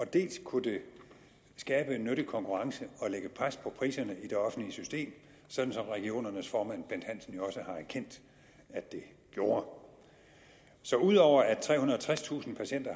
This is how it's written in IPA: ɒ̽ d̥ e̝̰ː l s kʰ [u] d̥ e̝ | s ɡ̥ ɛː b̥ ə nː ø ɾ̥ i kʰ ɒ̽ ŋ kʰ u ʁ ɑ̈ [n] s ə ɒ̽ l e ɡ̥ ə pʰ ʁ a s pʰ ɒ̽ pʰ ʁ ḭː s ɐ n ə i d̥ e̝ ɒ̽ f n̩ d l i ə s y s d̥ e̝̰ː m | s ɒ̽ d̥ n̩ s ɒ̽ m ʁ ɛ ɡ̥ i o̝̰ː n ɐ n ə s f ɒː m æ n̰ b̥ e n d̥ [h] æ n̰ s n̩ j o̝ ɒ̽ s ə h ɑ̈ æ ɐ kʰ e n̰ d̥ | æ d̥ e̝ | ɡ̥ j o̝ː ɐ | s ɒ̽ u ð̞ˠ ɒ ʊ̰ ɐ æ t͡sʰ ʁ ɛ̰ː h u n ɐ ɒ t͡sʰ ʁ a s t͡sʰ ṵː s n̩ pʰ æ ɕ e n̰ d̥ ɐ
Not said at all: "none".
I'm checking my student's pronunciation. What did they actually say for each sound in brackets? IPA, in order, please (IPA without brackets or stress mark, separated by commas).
u, ŋ, h